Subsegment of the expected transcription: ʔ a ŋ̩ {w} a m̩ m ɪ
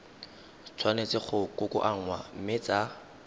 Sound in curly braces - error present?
no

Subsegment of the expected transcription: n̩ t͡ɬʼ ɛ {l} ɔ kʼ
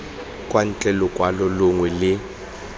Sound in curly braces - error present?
no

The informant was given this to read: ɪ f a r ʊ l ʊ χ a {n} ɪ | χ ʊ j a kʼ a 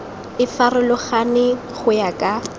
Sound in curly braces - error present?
no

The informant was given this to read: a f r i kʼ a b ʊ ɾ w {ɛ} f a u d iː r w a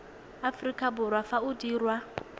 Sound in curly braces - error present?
yes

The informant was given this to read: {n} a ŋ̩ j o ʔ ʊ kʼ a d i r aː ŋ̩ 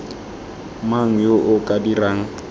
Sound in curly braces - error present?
yes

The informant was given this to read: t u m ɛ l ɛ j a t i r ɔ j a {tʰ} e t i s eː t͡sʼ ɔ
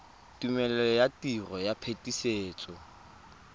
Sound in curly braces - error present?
yes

